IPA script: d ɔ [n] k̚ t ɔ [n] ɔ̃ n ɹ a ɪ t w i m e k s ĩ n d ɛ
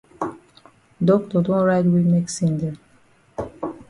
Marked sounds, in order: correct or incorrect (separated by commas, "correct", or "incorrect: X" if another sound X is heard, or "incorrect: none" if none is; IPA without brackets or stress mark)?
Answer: incorrect: none, incorrect: d